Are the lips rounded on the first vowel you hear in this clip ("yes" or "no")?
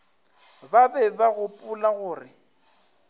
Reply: no